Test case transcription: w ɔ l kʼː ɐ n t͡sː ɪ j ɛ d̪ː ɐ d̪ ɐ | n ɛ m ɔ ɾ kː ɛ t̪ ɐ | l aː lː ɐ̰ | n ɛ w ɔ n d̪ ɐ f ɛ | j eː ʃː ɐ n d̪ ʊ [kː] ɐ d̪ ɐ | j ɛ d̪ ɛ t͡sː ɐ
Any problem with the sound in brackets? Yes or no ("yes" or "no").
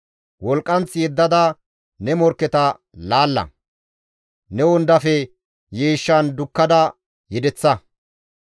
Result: no